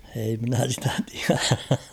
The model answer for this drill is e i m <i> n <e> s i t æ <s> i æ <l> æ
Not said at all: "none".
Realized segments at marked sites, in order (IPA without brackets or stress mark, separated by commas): i, æ, t, r